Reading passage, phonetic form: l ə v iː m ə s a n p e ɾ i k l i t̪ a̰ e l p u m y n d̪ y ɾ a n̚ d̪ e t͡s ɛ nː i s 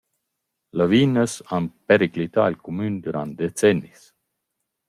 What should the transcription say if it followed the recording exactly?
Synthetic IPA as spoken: l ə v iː n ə s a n p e ɾ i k l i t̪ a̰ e l k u m y n d̪ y ɾ a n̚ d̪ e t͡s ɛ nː i s